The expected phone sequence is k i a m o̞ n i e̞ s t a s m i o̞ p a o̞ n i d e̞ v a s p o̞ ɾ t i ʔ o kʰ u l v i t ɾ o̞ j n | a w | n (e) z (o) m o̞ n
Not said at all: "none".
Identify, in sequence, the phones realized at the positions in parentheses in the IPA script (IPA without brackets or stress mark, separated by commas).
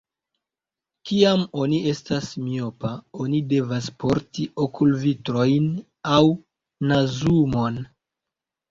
a, u